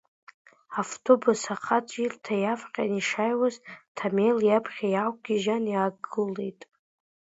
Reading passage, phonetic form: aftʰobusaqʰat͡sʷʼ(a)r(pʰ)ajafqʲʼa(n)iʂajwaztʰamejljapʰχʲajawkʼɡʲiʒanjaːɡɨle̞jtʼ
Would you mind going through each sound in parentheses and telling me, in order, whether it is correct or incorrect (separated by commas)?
incorrect, incorrect, correct